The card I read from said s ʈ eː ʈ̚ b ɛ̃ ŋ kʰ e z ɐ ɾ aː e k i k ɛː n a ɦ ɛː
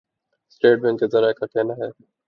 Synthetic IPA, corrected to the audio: s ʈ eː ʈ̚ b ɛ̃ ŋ k e z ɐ ɾ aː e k a k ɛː n a ɦ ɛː